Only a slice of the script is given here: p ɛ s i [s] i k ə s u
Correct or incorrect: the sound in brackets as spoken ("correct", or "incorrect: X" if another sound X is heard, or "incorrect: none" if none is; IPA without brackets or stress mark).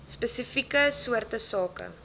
incorrect: f